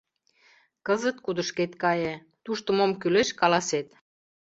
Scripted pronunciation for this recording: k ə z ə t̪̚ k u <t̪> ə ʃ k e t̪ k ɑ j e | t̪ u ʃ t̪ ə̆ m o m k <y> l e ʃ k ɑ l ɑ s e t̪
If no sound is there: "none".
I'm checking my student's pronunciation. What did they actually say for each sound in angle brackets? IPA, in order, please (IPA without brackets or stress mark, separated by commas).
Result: d̪, y